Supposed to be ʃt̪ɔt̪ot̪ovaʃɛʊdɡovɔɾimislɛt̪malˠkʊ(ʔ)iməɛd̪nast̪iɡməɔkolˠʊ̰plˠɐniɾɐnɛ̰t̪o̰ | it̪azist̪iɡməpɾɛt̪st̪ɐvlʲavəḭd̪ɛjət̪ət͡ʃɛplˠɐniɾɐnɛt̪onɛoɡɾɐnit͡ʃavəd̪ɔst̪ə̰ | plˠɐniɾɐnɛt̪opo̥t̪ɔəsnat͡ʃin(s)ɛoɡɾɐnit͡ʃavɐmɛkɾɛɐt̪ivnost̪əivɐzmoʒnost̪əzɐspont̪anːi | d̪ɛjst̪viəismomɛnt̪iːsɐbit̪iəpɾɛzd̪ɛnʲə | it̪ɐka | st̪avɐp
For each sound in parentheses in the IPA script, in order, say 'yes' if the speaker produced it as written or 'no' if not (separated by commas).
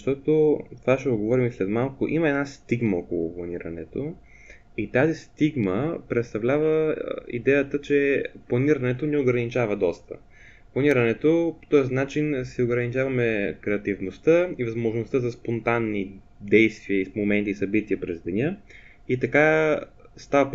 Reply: yes, yes